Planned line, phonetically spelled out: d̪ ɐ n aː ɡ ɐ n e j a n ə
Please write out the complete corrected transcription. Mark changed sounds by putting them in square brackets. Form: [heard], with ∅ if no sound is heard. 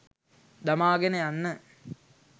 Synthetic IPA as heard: d̪ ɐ [m] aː ɡ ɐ n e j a [nː] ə